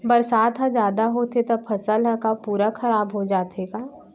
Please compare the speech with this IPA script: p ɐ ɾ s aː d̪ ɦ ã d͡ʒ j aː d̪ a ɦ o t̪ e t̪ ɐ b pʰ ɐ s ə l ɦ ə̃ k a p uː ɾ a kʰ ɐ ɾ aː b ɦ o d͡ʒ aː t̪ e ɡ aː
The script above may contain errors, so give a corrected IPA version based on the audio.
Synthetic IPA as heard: b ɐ ɾ s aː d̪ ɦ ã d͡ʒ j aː d̪ a ɦ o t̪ e t̪ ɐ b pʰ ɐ s ə l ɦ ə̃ k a p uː ɾ a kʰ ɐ ɾ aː b ɦ o d͡ʒ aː t̪ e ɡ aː